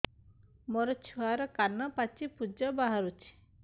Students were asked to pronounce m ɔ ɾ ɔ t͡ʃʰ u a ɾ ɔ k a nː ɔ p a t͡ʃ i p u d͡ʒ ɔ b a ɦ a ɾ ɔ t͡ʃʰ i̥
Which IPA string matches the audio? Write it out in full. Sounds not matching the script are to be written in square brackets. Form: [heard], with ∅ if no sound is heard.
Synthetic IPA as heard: m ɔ ɾ ɔ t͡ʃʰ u a ɾ ɔ k a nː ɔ p a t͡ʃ i p u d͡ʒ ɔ b a ɦ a ɾ [u] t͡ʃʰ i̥